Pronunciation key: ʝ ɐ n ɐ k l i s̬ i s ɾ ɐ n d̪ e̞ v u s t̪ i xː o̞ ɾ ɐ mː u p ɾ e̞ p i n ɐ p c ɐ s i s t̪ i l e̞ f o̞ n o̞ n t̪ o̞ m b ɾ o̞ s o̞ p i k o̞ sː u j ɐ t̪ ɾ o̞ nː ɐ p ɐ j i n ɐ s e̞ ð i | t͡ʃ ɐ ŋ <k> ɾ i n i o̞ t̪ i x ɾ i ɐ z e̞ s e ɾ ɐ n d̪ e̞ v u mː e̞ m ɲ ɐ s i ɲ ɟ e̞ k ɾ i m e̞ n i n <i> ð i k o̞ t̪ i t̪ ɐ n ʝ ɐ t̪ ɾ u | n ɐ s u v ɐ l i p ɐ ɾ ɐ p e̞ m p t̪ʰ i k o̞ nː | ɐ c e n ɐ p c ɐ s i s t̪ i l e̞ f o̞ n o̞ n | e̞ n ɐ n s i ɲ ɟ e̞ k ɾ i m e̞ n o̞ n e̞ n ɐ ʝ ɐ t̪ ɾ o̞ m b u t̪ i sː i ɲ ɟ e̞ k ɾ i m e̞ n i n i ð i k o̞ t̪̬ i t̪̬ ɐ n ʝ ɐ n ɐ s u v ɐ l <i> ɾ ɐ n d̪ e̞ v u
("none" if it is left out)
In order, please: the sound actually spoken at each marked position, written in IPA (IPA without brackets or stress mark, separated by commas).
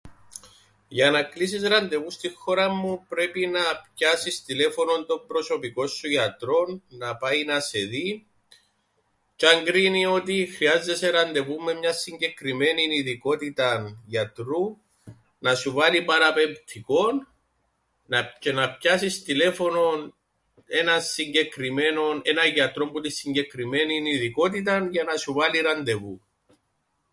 ɡ, i, i